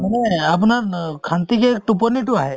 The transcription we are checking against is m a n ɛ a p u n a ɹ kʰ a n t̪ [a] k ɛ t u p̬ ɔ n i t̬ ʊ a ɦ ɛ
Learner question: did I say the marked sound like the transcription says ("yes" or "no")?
no